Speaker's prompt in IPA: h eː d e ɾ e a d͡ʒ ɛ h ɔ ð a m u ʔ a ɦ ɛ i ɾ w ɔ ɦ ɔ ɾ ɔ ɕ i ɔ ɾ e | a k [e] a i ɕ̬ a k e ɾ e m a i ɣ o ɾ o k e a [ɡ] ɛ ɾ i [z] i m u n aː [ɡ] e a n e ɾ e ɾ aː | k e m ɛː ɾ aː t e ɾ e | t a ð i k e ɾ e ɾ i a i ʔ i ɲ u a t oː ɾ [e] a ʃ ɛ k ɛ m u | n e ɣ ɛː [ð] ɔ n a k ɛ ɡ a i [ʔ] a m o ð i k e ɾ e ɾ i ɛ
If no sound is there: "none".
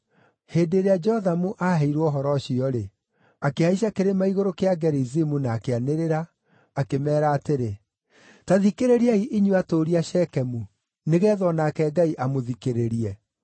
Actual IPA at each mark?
e, ɡ, z, k, i, ð, ʔ

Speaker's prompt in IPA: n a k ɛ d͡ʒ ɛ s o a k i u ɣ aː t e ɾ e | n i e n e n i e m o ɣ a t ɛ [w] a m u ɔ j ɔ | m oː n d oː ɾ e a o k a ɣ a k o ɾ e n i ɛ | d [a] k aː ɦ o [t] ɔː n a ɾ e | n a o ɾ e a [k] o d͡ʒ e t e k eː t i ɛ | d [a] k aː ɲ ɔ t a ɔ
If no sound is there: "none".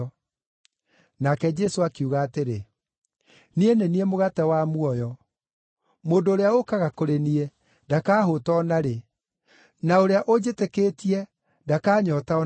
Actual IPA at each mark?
w, a, t, ʔ, a

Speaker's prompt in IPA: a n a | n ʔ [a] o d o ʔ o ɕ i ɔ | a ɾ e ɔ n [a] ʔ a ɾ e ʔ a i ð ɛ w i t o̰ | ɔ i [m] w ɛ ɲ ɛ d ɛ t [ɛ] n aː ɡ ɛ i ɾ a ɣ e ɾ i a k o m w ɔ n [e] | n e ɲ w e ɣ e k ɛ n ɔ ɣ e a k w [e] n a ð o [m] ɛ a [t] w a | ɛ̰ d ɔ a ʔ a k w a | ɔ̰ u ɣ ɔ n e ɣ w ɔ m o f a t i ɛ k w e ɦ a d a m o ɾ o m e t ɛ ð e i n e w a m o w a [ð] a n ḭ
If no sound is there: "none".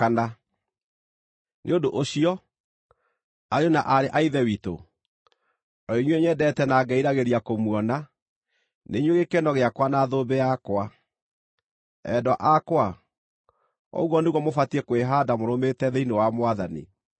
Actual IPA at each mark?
e, a, ɲ, ɛ, a, a, b, k, ð

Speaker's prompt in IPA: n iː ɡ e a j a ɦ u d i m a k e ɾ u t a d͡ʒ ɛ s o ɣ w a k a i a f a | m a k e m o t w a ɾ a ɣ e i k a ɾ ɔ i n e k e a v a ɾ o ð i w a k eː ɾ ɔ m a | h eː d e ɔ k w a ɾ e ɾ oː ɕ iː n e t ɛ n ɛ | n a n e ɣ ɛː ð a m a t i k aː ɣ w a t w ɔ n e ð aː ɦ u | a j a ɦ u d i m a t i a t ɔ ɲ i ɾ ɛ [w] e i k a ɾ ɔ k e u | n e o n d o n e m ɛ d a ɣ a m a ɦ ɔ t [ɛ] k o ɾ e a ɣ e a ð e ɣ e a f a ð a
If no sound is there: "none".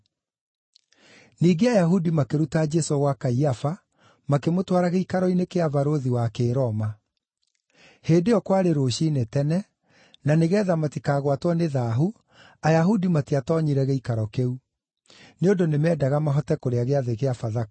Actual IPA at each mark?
ɣ, ɛ

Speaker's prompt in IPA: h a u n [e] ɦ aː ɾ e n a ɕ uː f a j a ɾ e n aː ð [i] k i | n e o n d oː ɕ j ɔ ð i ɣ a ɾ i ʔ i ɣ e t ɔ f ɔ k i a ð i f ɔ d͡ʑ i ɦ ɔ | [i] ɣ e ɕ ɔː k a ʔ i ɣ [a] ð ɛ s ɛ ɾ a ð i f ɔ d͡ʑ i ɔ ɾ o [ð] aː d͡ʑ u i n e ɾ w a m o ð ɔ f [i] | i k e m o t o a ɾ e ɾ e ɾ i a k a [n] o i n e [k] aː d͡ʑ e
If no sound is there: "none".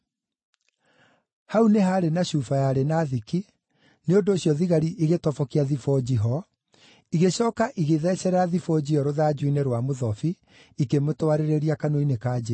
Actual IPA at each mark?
e, i, i, e, ð, i, n, k

